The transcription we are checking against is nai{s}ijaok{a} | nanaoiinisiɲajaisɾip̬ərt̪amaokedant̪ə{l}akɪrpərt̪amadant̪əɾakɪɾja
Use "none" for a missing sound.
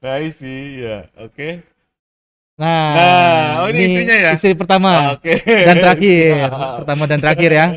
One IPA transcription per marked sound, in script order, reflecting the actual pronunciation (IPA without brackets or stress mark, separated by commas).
s, e, ɾ